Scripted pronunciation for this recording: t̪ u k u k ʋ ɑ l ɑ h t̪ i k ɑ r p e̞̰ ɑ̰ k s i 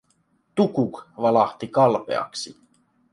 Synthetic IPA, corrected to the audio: t̪ u k u k ʋ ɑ l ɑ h t̪ i k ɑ l p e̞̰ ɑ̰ k s i